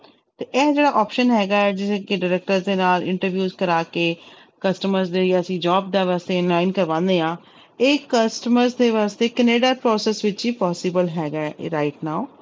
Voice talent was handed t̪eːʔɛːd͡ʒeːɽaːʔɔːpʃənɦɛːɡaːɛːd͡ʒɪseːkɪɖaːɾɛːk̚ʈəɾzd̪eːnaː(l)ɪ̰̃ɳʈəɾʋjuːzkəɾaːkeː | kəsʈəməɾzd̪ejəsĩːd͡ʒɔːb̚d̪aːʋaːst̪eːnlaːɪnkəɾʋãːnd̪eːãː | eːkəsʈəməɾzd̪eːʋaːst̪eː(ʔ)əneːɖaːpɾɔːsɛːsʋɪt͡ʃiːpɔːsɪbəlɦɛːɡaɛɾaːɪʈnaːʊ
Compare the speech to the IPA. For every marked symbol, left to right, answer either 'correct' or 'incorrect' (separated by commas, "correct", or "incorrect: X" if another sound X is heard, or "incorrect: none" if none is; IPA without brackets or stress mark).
correct, incorrect: k